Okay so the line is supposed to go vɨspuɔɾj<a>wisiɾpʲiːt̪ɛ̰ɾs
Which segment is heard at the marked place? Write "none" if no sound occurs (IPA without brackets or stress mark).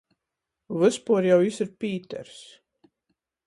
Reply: a